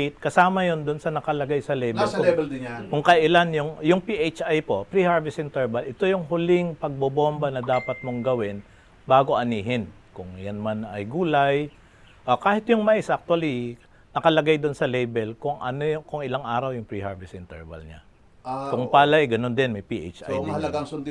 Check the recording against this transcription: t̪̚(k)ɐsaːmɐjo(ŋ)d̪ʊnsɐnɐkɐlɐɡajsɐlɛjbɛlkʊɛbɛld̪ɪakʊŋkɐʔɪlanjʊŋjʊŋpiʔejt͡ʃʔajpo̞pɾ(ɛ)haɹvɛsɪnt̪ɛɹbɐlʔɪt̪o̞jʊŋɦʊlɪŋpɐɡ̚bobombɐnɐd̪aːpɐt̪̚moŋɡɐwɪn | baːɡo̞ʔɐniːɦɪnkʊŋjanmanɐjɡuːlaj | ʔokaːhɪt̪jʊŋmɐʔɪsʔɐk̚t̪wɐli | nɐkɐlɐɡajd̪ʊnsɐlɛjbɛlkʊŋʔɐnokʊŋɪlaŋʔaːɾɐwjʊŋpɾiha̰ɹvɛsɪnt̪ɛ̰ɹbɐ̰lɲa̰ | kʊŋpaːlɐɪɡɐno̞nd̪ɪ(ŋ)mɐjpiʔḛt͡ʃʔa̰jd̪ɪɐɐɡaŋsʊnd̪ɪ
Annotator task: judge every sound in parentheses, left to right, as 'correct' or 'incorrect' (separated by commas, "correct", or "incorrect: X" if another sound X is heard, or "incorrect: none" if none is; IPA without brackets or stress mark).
correct, incorrect: n, incorrect: i, incorrect: n